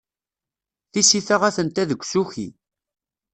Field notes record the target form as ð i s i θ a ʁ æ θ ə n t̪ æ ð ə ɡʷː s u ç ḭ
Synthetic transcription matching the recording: θ i s i θ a ʁ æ θ ə n t̪ æ ð ə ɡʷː s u ç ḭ